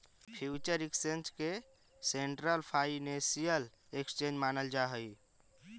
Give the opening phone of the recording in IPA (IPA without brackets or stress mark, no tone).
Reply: pʰ